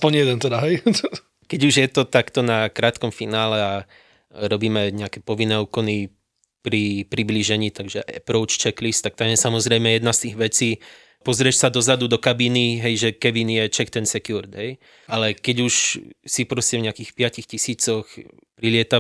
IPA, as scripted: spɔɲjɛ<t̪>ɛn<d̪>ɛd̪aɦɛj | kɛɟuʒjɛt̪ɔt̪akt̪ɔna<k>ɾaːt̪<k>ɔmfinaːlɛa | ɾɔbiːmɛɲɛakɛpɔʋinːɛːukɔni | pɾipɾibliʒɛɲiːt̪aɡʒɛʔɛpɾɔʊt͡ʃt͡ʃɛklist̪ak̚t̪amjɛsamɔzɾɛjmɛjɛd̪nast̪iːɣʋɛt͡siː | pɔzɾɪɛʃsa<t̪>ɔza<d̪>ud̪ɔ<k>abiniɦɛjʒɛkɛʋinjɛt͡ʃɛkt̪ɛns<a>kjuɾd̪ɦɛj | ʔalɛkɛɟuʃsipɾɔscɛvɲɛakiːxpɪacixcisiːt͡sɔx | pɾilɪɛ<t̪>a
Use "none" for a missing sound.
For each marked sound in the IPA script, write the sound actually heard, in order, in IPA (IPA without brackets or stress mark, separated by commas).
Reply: d̪, t̪, k, k, d̪, d̪, k, ɛ, t̪